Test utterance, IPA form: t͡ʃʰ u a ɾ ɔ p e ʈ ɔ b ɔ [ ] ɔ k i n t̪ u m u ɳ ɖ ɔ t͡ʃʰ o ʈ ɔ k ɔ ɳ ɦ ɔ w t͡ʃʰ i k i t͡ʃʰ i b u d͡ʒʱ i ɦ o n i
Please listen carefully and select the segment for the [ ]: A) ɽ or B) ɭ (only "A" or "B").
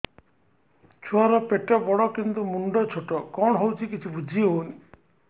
A